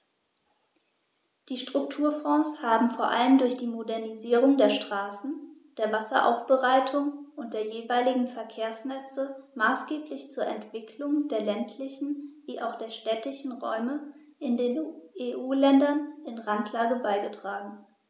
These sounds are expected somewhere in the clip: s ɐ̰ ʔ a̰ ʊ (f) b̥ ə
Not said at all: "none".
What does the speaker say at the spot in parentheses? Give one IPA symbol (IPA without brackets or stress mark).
f